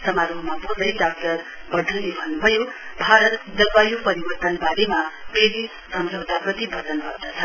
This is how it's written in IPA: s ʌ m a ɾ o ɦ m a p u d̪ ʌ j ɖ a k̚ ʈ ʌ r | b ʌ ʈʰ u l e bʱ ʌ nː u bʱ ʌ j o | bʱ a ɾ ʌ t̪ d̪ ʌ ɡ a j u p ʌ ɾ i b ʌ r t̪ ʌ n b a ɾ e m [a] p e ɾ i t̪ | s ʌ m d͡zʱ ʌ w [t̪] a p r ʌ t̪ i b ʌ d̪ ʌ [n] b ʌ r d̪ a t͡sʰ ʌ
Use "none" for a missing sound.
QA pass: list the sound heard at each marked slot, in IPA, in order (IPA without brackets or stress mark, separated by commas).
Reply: a, t̪, n